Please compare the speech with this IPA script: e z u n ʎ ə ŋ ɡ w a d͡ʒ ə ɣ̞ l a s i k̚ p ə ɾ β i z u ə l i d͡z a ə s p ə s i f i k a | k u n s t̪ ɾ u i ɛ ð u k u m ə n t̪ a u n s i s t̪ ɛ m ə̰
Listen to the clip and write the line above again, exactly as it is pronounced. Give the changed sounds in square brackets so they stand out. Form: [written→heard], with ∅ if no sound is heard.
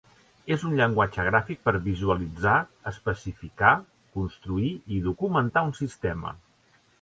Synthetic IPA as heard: e z u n ʎ ə ŋ ɡ w a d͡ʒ ə ɣ̞ [l→ɾ] a [s→f] i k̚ p ə ɾ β i z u ə l i d͡z a ə s p ə s i f i k a | k u n s t̪ ɾ u i [ɛ→i] ð u k u m ə n t̪ a u n s i s t̪ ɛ m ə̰